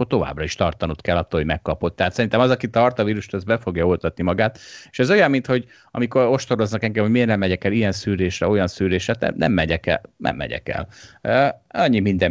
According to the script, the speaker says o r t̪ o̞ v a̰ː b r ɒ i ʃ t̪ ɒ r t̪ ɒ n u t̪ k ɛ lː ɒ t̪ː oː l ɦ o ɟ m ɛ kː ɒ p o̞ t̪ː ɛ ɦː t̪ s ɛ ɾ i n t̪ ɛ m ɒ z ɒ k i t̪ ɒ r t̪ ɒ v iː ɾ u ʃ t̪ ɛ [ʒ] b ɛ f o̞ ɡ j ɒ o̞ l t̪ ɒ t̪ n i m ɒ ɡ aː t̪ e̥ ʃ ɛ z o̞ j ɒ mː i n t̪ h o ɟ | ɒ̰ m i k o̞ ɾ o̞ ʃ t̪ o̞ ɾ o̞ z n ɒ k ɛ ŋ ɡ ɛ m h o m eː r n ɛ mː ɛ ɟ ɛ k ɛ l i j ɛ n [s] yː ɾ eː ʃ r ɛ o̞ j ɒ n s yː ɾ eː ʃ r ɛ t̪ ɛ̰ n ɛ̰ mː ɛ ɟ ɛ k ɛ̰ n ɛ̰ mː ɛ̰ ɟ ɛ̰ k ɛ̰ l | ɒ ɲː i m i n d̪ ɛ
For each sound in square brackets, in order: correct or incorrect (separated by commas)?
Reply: incorrect, correct